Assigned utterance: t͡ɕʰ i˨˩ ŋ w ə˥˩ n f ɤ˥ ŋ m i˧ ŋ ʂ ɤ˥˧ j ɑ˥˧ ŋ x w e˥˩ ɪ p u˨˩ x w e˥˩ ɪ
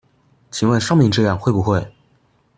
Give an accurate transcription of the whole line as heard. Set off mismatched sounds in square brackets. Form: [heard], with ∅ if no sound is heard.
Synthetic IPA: t͡ɕʰ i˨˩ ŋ w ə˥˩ n [ʂ] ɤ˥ ŋ m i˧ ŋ [ʈ͡ʂ] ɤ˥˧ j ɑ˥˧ ŋ x w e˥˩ ɪ p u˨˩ x w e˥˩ ɪ

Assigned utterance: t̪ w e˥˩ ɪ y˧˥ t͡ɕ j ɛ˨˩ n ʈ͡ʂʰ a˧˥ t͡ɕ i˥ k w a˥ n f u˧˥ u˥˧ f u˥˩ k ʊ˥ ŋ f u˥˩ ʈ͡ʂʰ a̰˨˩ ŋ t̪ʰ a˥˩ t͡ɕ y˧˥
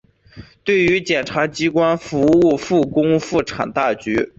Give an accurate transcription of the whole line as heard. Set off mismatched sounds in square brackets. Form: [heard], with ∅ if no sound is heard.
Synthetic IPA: t̪ w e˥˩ ɪ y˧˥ t͡ɕ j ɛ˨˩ n ʈ͡ʂʰ a˧˥ t͡ɕ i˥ k w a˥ n f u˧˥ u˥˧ f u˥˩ k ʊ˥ ŋ f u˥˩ ʈ͡ʂʰ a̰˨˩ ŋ [t̪] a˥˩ t͡ɕ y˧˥

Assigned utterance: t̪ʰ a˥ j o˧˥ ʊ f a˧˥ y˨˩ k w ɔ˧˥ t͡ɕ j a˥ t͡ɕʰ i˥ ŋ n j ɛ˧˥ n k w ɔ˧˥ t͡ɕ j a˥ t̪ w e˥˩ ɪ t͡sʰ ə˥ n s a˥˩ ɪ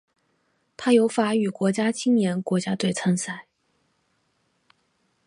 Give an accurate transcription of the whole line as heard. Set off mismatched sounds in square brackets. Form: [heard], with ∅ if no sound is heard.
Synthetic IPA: t̪ʰ a˥ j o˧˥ ʊ f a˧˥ y˨˩ k w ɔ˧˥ t͡ɕ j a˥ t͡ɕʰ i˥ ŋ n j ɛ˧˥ n k w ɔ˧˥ t͡ɕ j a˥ t̪ w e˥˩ ɪ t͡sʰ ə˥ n s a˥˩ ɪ

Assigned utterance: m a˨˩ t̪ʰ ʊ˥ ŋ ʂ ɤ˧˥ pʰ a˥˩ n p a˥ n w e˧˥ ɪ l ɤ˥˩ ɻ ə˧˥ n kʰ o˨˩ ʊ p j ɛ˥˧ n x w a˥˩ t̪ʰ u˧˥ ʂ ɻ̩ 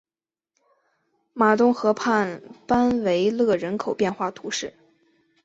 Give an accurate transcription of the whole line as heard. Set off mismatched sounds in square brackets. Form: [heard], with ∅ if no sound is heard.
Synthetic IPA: m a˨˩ [t̪] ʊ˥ ŋ [x] ɤ˧˥ pʰ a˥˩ n p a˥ n w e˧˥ ɪ l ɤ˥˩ ɻ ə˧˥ n kʰ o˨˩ ʊ p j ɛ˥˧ n x w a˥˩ t̪ʰ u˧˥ ʂ ɻ̩

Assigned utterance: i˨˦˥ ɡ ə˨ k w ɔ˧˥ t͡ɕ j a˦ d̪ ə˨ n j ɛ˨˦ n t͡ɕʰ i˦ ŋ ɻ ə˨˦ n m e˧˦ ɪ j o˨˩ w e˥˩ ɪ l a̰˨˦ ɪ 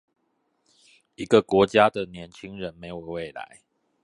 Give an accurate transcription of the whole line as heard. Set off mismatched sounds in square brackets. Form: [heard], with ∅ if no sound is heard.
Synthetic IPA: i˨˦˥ ɡ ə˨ k w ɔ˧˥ t͡ɕ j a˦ d̪ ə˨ n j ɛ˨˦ n t͡ɕʰ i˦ ŋ ɻ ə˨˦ n m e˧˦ ɪ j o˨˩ w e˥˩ ɪ l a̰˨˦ ɪ

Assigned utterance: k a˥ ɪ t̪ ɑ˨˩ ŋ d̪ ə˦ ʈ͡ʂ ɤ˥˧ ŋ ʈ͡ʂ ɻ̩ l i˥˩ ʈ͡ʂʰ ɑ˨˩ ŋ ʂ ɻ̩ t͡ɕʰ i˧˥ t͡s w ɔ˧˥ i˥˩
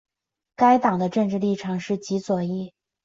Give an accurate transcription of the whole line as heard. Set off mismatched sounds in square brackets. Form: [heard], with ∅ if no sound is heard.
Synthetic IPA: k a˥ ɪ t̪ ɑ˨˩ ŋ d̪ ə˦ ʈ͡ʂ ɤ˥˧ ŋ ʈ͡ʂ ɻ̩ l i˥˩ ʈ͡ʂʰ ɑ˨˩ ŋ ʂ ɻ̩ [t͡ɕ] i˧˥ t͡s w [ɔ˨˩] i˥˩

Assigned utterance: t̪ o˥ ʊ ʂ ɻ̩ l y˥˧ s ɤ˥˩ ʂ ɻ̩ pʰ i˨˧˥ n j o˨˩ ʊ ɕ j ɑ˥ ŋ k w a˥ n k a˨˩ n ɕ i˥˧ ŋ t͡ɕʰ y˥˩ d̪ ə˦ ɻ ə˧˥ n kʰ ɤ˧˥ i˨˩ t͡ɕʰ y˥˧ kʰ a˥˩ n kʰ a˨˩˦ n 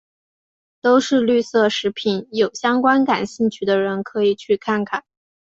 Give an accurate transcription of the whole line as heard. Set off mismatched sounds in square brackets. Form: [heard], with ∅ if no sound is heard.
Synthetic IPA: t̪ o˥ ʊ ʂ ɻ̩ l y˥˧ s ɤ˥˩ ʂ ɻ̩ pʰ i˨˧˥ n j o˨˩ ʊ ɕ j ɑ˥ ŋ k w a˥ n k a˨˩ n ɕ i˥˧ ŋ t͡ɕʰ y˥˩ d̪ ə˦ ɻ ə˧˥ n kʰ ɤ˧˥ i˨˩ t͡ɕʰ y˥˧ kʰ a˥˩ n kʰ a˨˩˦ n

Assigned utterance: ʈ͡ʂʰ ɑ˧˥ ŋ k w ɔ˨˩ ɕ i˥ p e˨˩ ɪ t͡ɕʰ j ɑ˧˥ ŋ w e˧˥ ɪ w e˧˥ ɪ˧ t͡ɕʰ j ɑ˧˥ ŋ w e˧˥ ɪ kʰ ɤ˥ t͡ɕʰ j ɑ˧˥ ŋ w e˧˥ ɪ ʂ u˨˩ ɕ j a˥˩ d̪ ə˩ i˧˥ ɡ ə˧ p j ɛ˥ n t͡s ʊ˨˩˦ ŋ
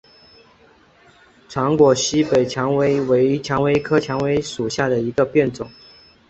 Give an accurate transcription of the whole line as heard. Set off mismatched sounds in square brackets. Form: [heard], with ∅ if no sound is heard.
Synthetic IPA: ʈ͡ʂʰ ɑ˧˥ ŋ k w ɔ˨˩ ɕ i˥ p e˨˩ ɪ t͡ɕʰ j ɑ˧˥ ŋ w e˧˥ ɪ w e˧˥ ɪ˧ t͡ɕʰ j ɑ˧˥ ŋ w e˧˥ ɪ kʰ ɤ˥ t͡ɕʰ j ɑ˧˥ ŋ w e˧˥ ɪ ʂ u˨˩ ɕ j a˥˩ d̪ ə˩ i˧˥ ɡ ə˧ p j [ɛ˥˩] n t͡s ʊ˨˩˦ ŋ

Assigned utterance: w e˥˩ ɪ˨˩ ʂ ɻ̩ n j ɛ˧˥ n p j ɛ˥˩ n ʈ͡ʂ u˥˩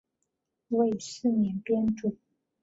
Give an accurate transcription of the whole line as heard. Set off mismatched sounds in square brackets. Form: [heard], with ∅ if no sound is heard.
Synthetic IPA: w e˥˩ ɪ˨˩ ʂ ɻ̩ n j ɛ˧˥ n p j [ɛ˥] n ʈ͡ʂ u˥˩

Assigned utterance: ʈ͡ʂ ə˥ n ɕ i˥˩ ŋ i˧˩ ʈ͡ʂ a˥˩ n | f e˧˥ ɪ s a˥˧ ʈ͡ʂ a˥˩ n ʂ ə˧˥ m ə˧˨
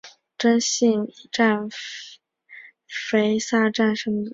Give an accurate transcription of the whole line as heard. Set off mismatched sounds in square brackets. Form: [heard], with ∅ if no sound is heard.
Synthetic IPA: ʈ͡ʂ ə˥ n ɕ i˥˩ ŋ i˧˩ ʈ͡ʂ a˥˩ n | f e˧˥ ɪ s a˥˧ ʈ͡ʂ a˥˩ n ʂ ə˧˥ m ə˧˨

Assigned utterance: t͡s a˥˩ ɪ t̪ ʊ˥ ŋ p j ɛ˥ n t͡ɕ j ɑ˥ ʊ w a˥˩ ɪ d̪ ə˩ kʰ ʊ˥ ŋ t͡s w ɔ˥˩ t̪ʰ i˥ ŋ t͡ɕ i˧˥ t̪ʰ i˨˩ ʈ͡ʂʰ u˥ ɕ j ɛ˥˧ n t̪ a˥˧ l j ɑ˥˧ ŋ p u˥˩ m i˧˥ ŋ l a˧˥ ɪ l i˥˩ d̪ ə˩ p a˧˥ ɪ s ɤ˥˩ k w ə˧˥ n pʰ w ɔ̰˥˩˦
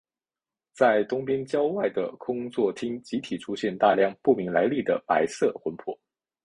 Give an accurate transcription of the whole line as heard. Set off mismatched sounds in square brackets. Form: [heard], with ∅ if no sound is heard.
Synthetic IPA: t͡s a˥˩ ɪ t̪ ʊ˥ ŋ p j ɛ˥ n t͡ɕ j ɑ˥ ʊ w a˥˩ ɪ d̪ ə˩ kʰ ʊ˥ ŋ t͡s w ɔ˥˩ t̪ʰ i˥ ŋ t͡ɕ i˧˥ t̪ʰ i˨˩ ʈ͡ʂʰ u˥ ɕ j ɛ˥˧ n t̪ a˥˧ l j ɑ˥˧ ŋ p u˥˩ m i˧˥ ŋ l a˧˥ ɪ l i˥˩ d̪ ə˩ p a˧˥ ɪ s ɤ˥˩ [x] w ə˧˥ n pʰ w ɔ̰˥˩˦

